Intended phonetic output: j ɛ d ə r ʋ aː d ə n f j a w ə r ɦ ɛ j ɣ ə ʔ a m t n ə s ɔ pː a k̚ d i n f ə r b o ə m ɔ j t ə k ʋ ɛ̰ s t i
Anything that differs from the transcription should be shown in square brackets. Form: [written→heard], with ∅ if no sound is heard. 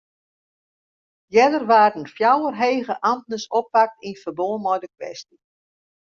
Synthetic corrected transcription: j ɛ d ə r ʋ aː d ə n f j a w ə r ɦ [ɛ→e] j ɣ ə ʔ a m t n ə s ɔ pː a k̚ [d→t] i n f ə r b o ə m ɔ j [t→d] ə k ʋ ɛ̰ s t i